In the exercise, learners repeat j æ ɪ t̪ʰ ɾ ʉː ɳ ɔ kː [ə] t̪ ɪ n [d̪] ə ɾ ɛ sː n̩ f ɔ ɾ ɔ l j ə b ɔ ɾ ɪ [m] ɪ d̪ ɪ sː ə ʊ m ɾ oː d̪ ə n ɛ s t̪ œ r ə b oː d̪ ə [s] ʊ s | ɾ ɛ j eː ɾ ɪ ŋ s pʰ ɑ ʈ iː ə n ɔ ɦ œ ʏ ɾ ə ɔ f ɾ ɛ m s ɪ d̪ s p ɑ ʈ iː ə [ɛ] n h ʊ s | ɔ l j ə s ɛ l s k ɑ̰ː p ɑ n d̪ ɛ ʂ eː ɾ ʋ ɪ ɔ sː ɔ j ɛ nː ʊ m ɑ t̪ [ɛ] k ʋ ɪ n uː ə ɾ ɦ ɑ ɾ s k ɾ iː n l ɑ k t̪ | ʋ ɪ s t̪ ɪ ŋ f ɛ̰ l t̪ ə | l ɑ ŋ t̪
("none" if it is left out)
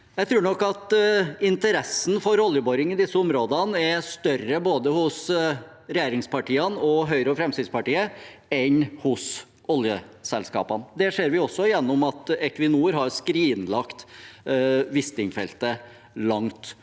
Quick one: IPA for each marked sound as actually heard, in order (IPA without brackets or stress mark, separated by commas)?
ɑ, t̪, ŋ, h, ɛ, ɛ